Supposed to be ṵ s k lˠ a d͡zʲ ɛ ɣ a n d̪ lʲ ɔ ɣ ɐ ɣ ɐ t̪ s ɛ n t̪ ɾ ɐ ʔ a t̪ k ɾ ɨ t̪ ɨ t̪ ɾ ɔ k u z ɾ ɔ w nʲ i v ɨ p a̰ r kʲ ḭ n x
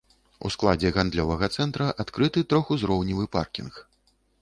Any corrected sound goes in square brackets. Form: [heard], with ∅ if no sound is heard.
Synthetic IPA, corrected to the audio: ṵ s k lˠ a d͡zʲ ɛ ɣ a n d̪ lʲ ɔ [v] ɐ ɣ ɐ t̪ s ɛ n t̪ ɾ ɐ ʔ a t̪ k ɾ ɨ t̪ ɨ t̪ ɾ ɔ [x] u z ɾ ɔ w nʲ i v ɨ p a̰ r kʲ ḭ n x